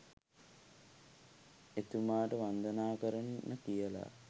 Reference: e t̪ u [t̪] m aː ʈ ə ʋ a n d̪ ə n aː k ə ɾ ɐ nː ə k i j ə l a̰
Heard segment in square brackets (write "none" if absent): none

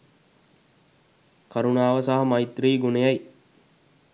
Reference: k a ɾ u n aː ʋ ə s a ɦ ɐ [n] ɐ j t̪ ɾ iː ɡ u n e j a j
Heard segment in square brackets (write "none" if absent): m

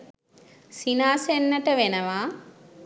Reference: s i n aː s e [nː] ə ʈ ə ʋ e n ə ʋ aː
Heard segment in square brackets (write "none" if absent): nː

